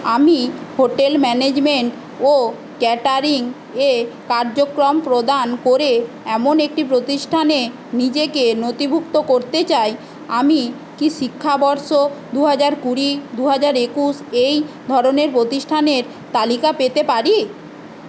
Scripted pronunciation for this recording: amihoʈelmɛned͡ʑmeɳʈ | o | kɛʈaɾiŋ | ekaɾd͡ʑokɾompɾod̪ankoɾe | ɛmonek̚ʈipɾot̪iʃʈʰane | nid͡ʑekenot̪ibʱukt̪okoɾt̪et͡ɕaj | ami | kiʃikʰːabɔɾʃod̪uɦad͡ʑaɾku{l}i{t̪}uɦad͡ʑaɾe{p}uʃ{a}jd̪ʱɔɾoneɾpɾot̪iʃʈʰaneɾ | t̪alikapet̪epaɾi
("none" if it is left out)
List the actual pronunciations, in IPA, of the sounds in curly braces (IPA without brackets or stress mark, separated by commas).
ɾ, d̪, k, e